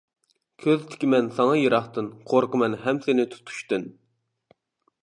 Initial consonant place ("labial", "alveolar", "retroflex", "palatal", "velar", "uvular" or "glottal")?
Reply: velar